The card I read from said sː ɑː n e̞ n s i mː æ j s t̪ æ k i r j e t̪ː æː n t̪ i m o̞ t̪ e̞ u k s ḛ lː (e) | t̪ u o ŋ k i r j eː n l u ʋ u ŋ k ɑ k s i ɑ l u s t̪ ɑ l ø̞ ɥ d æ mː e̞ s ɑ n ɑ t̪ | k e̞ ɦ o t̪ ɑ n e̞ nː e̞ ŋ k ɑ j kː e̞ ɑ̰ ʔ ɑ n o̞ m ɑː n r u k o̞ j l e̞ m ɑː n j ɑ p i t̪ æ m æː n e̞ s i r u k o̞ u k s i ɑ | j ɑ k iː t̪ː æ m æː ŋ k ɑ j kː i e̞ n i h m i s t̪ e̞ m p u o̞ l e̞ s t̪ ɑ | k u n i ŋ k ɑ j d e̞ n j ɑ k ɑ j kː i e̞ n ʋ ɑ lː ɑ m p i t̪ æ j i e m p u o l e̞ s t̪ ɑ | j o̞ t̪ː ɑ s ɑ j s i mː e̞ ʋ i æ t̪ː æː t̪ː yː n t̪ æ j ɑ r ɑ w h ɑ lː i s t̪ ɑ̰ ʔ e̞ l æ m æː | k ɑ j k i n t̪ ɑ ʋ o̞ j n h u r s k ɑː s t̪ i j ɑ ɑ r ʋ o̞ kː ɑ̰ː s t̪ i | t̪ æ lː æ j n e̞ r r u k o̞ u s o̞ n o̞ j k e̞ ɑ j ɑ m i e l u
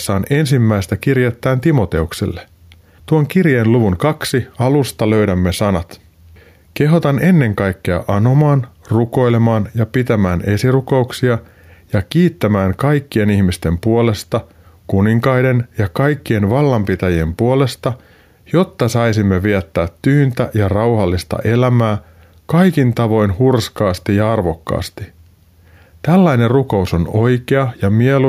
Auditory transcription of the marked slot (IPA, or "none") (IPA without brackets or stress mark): e